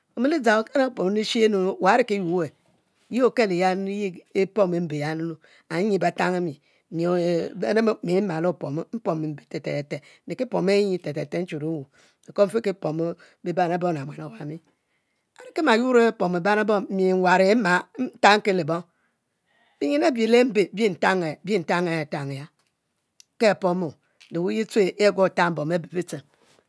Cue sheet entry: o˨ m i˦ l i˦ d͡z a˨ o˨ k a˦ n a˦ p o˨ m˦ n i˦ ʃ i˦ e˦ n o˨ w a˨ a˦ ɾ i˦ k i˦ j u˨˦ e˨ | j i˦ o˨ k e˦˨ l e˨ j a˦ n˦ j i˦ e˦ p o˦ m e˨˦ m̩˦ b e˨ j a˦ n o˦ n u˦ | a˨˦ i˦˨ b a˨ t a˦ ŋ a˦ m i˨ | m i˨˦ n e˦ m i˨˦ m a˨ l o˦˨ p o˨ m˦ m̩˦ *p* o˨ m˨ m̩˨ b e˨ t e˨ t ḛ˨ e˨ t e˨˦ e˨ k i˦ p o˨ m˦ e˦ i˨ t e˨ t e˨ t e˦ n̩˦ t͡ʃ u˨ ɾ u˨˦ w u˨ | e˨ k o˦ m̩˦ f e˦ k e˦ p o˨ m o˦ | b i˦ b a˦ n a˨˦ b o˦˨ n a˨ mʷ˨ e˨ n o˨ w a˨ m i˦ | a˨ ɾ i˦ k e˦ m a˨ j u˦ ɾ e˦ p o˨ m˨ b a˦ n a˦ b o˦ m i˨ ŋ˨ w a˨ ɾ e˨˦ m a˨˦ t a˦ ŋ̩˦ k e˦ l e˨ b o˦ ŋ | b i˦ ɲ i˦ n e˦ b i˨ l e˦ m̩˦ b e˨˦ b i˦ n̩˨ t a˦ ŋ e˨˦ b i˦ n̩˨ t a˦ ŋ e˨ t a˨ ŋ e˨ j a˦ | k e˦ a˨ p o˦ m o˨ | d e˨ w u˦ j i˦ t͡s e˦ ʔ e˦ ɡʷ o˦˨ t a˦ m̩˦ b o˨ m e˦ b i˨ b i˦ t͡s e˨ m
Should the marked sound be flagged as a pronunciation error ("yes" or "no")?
no